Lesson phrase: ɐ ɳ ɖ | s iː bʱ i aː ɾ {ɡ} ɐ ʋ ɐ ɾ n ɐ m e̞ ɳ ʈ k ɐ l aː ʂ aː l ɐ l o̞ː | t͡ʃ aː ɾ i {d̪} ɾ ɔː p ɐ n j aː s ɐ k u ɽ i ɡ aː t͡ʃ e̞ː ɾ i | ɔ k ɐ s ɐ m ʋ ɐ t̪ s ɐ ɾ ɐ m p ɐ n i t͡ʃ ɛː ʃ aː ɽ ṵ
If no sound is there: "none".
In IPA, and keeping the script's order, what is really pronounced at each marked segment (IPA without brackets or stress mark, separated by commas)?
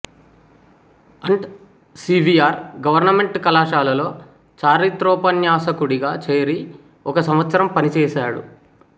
ɡ, t̪